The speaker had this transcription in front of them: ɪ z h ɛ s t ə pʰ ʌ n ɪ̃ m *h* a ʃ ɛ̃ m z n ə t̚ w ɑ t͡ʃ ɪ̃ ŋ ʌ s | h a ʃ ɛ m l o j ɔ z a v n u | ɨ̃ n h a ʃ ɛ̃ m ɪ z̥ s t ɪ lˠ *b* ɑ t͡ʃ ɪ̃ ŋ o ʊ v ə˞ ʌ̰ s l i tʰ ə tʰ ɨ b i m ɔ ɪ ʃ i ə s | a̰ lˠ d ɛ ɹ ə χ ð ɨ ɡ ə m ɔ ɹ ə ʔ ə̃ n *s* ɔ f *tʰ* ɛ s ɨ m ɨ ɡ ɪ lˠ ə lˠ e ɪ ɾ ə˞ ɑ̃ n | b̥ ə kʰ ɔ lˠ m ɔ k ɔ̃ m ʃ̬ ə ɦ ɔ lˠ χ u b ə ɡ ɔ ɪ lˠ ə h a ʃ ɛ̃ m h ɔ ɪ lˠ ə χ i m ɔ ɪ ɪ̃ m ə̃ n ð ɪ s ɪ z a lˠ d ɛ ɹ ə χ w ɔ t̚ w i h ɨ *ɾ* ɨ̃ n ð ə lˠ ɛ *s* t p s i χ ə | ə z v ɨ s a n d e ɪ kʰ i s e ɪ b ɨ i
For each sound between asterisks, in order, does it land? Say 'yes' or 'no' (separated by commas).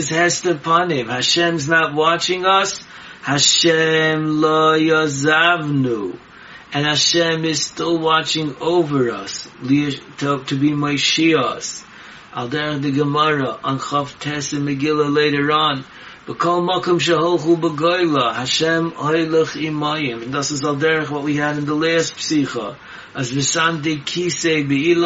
yes, no, no, yes, yes, yes